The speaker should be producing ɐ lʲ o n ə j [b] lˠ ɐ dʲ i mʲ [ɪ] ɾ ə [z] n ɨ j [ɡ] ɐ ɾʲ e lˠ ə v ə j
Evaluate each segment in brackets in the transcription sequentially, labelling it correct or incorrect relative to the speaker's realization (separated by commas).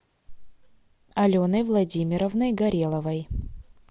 incorrect, correct, incorrect, correct